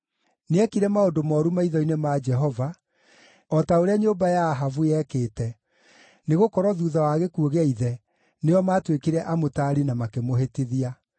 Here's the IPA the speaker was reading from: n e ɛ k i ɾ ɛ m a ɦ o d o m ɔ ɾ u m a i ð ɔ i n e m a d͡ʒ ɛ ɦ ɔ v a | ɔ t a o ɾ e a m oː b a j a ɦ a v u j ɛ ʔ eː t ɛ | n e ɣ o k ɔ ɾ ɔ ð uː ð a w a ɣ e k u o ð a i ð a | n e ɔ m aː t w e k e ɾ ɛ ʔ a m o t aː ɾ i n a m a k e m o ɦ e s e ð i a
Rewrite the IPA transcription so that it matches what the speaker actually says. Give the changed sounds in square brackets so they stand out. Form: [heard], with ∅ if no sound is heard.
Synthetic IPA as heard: n e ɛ k i ɾ ɛ m a [∅] o d o m ɔ ɾ u m a i ð ɔ i n e m a d͡ʒ ɛ ɦ ɔ v a | ɔ t a o ɾ e a [ɲ] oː b a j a ɦ a v u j ɛ [k] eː t ɛ | n e ɣ o k ɔ ɾ ɔ ð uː ð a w a ɣ e k u o [ɣ] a i ð [ɛ] | n e ɔ m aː t w e k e ɾ ɛ ʔ a m o t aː ɾ i n a m a k e m o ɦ e [t] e ð i a

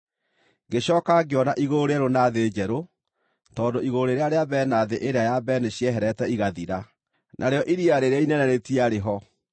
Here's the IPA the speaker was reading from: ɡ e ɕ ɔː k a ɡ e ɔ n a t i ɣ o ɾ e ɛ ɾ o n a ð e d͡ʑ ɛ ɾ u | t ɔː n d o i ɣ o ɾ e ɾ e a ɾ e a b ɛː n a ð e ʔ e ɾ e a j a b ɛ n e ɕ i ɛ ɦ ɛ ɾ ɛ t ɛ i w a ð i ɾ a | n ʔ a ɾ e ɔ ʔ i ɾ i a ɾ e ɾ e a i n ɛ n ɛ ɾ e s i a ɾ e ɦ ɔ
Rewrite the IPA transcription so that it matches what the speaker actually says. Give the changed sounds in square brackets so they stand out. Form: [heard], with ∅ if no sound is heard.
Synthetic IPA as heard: ɡ e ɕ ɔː k a ɡ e ɔ n a [ʔ] i ɣ o ɾ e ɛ ɾ o n a ð e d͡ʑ ɛ ɾ [o] | t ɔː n d o i ɣ o ɾ e ɾ e a ɾ e a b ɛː n a ð e ʔ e ɾ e a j a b ɛ n e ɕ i ɛ ɦ ɛ ɾ ɛ t ɛ i [ɣ] a ð i ɾ a | n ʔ a ɾ e ɔ ʔ i ɾ i a ɾ e ɾ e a i n ɛ n ɛ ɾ e [t] i a ɾ e ɦ ɔ

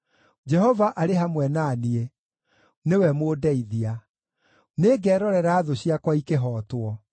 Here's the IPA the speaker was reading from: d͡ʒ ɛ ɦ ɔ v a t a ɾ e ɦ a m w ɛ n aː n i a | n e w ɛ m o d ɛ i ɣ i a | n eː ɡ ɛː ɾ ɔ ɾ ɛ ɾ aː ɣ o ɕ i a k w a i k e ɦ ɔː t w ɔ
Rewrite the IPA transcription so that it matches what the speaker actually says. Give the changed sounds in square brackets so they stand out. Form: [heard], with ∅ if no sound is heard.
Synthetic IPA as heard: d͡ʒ ɛ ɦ ɔ v a [ʔ] a ɾ e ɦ a m w ɛ n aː n i [e] | n e w ɛ m o d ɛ i [ð] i a | n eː ɡ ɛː ɾ ɔ ɾ ɛ ɾ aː [ð] o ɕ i a k w a i k e ɦ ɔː t w ɔ

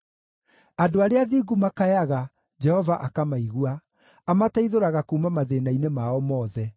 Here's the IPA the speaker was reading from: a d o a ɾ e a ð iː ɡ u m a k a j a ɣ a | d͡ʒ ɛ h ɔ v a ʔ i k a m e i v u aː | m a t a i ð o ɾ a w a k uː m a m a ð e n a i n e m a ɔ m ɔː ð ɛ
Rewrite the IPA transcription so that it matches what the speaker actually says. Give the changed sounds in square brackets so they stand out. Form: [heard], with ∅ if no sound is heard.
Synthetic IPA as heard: a d o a ɾ e a ð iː ɡ u m a k a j a ɣ a | d͡ʒ ɛ h ɔ v a ʔ [a] k a m [a] i [ɣ] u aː | m a t a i ð o ɾ a [ɣ] a k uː m a m a ð e n a i n e m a ɔ m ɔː ð ɛ

